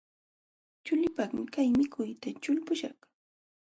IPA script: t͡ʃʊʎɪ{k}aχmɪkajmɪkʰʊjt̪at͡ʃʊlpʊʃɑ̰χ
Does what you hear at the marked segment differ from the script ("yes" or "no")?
yes